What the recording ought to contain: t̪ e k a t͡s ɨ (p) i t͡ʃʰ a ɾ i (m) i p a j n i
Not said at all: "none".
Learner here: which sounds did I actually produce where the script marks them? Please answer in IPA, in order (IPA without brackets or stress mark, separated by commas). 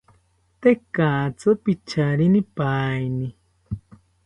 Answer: p, n